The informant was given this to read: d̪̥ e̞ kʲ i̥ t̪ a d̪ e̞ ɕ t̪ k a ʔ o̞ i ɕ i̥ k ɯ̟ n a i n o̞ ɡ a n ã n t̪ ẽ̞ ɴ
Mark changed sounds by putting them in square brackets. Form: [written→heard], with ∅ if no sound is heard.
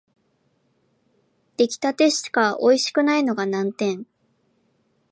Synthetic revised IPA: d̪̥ e̞ kʲ i̥ t̪ a [d̪→t̪] e̞ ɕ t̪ k a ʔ o̞ i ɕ i̥ k ɯ̟ n a i n o̞ ɡ a n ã n t̪ ẽ̞ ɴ

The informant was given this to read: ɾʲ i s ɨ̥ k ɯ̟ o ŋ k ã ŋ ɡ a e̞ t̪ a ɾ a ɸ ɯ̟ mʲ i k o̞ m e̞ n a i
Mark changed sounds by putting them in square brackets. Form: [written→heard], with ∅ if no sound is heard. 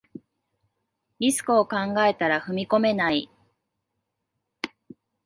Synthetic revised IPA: ɾʲ i s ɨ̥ k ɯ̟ o [ŋ→∅] k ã ŋ ɡ a e̞ t̪ a ɾ a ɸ ɯ̟ mʲ i k o̞ m e̞ n a i

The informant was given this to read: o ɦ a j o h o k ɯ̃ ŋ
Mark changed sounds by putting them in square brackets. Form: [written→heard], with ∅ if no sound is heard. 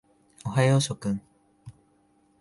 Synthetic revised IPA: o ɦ a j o [h→ɕ] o k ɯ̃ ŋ

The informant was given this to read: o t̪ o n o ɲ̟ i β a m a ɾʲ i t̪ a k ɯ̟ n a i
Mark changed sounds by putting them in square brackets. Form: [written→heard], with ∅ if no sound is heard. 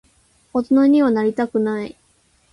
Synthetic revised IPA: o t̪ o n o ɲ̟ i β a [m→n] a ɾʲ i t̪ a k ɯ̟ n a i

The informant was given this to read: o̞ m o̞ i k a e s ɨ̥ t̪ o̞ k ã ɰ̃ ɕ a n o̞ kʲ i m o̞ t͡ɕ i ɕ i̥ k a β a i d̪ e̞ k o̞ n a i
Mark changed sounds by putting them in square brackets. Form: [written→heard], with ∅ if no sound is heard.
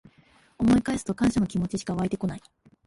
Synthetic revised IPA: o̞ m o̞ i k a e s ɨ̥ t̪ o̞ k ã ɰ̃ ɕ a n o̞ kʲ i m o̞ t͡ɕ i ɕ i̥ k a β a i [d̪→t̪] e̞ k o̞ n a i

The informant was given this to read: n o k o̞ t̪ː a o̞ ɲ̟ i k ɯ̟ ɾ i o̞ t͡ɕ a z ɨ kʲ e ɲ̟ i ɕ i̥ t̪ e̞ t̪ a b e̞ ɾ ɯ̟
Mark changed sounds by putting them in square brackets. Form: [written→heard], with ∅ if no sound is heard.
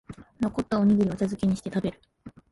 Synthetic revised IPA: n o k o̞ t̪ː a o̞ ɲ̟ i [k→ɡ] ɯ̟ ɾ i o̞ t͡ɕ a z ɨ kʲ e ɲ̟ i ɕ i̥ t̪ e̞ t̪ a b e̞ ɾ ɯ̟

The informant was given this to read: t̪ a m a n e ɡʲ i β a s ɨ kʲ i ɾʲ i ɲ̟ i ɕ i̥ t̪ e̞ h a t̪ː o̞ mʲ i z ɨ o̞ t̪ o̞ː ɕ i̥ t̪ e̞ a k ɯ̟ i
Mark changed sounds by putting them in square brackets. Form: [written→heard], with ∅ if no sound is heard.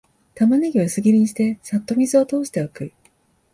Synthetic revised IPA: t̪ a m a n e ɡʲ i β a s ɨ [kʲ→ɡʲ] i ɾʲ i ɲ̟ i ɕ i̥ t̪ e̞ [h→s] a t̪ː o̞ mʲ i z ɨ o̞ t̪ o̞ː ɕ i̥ t̪ e̞ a k ɯ̟ i

